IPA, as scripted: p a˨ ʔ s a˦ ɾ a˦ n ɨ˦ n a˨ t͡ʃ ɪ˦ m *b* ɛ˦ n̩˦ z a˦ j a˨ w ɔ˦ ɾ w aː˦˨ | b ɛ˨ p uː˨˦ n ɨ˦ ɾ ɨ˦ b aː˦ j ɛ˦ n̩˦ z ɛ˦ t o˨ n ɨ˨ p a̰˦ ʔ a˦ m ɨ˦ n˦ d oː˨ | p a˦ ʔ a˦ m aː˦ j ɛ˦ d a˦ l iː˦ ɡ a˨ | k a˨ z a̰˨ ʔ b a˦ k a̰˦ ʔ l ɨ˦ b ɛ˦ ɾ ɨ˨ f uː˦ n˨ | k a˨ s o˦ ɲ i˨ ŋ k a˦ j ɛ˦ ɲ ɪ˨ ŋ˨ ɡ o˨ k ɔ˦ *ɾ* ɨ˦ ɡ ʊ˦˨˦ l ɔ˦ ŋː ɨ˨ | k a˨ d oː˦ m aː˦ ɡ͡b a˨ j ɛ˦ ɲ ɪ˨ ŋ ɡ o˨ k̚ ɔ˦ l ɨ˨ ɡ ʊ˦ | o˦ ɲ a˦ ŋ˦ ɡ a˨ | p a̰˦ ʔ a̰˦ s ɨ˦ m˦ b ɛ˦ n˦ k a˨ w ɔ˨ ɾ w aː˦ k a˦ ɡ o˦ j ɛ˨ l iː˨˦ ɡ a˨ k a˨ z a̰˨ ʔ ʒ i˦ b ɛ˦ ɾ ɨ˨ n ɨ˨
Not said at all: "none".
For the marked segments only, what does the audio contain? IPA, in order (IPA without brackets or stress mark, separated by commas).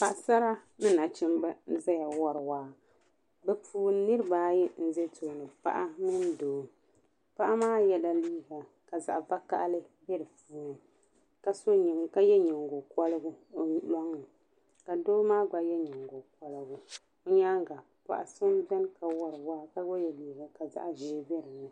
b, l